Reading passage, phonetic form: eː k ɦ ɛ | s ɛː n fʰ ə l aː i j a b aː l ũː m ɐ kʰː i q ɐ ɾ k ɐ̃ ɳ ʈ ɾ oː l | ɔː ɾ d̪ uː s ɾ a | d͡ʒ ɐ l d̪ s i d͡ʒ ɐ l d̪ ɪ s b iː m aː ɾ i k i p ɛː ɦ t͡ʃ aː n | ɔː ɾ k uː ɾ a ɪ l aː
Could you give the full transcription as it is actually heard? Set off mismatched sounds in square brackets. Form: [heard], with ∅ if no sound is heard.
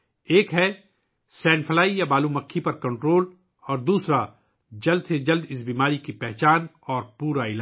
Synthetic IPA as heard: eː k ɦ ɛ | s ɛː n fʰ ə l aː i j a b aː l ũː m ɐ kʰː i [p] ɐ ɾ k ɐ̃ ɳ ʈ ɾ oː l | ɔː ɾ d̪ uː s ɾ a | d͡ʒ ɐ l d̪ s [e] d͡ʒ ɐ l d̪ ɪ s b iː m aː ɾ i k i p [ɛ] ɦ t͡ʃ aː n | ɔː ɾ [p] uː ɾ a ɪ l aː